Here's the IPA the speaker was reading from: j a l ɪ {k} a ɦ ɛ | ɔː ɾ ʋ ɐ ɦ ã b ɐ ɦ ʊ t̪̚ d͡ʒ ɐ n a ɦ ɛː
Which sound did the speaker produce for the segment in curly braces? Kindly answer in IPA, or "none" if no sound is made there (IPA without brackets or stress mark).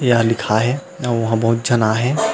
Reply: kʰ